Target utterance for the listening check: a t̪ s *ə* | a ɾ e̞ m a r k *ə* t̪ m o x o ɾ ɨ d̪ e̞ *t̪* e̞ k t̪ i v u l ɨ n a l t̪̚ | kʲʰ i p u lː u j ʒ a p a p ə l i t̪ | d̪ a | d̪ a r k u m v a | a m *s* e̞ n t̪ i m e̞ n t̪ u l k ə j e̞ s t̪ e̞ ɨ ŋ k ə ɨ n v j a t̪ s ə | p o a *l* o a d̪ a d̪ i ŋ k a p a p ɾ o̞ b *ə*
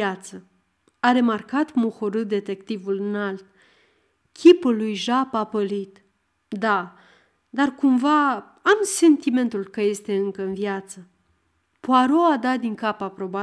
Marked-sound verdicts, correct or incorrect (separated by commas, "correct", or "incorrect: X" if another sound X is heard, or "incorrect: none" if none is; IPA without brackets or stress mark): correct, incorrect: a, correct, correct, incorrect: ɾ, incorrect: a